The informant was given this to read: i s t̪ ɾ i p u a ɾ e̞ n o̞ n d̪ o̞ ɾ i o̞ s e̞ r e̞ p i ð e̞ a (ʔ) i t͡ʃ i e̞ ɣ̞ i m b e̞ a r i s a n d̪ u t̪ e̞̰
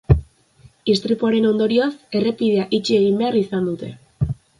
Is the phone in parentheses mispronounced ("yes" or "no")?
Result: no